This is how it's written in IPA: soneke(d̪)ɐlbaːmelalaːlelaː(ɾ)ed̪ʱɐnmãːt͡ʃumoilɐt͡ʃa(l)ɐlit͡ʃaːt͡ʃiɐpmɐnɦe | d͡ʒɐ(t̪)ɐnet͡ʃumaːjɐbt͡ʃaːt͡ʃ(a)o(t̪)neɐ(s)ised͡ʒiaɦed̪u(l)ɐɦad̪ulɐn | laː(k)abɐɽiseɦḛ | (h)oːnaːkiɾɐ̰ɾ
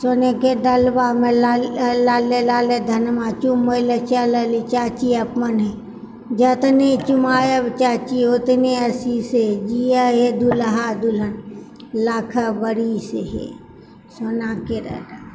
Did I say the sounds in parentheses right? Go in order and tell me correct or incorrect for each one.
correct, incorrect: l, correct, correct, incorrect: i, correct, correct, correct, incorrect: kʰ, incorrect: s

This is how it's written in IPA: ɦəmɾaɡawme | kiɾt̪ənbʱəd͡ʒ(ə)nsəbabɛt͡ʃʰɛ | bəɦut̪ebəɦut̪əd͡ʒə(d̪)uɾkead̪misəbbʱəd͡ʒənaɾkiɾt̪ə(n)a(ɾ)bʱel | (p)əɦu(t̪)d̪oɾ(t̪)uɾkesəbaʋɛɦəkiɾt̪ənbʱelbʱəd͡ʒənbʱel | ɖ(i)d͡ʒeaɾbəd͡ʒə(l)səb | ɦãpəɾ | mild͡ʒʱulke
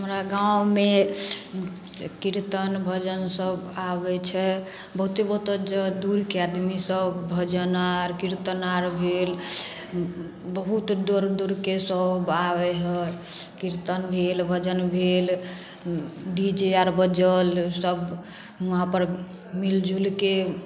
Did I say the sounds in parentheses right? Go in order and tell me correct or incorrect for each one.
correct, correct, correct, correct, incorrect: b, correct, incorrect: d̪, correct, correct

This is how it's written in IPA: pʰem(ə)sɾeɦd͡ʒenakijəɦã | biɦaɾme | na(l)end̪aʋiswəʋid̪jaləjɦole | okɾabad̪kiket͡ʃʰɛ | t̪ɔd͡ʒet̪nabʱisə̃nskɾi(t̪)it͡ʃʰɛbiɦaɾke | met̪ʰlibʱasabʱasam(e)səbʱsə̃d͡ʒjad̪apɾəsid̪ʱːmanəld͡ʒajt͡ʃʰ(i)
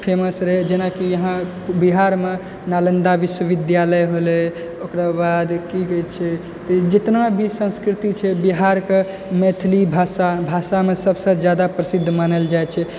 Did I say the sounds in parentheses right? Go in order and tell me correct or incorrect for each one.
correct, correct, correct, correct, incorrect: ɛ

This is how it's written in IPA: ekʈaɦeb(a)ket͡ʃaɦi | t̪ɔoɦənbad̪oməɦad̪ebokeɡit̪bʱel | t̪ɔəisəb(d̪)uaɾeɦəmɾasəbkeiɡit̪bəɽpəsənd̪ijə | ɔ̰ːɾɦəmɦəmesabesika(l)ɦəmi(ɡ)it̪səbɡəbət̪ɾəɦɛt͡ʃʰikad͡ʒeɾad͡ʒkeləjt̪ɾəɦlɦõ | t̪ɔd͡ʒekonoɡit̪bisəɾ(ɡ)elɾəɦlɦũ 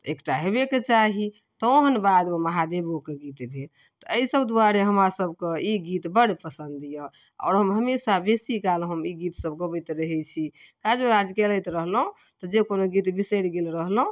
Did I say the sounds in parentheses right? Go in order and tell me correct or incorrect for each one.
incorrect: e, correct, correct, correct, correct

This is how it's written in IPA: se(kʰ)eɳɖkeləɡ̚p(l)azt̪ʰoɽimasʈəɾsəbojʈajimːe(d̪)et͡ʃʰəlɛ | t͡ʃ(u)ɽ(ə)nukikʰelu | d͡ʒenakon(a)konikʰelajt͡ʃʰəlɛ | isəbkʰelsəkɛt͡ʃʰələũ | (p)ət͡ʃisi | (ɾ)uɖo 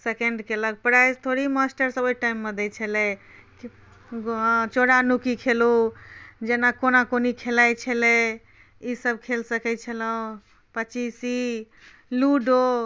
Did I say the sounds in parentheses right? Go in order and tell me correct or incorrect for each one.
incorrect: k, incorrect: ɾ, correct, incorrect: o, incorrect: a, correct, correct, incorrect: l

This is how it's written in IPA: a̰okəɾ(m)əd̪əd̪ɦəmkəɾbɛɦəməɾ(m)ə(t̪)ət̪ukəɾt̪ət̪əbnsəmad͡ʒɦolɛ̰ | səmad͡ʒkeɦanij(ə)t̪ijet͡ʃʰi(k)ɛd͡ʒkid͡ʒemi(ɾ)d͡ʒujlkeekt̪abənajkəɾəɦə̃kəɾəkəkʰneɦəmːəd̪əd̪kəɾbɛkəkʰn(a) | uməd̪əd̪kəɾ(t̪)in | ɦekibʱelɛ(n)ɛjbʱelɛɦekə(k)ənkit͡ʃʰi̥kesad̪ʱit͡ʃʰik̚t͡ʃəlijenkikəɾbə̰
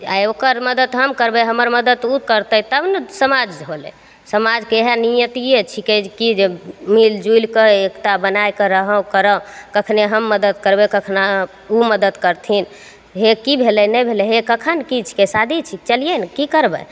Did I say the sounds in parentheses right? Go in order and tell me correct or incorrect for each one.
correct, correct, incorrect: d̪, correct, correct, incorrect: l, correct, incorrect: t̪ʰ, correct, incorrect: kʰ

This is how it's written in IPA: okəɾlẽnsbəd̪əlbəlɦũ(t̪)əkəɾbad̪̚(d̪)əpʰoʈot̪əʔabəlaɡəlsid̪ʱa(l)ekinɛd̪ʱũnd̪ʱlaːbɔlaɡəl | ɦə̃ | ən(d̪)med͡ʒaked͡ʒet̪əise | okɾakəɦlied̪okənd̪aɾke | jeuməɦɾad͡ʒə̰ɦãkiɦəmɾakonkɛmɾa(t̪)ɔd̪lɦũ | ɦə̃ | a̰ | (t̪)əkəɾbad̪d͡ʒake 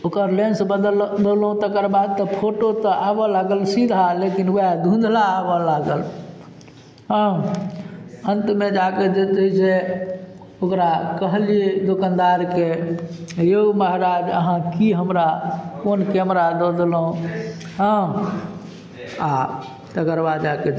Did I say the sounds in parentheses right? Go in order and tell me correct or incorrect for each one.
correct, incorrect: t̪, correct, incorrect: t̪, incorrect: d̪, correct

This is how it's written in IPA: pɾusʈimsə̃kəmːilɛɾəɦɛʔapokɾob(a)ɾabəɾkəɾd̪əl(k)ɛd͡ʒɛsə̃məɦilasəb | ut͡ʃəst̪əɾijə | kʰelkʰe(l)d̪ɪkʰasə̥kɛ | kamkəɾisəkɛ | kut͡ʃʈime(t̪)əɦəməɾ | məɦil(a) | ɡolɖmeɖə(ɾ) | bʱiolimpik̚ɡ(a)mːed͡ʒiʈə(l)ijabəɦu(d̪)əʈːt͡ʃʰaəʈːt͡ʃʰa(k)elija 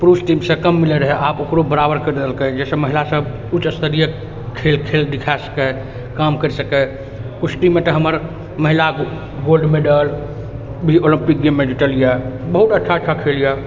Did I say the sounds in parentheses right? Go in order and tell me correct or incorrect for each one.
incorrect: ə, correct, correct, correct, correct, incorrect: l, incorrect: e, correct, incorrect: t̪, incorrect: kʰ

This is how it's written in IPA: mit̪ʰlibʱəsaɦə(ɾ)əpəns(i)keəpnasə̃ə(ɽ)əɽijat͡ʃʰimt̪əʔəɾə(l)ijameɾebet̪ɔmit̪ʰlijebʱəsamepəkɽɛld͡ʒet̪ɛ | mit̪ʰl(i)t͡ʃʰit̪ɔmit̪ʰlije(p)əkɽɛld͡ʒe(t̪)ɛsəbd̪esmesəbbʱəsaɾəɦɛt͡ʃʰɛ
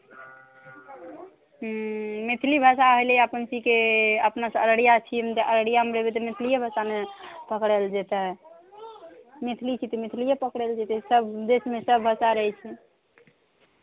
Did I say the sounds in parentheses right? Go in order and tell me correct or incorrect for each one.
incorrect: l, correct, incorrect: ɾ, incorrect: ɽ, correct, correct, correct

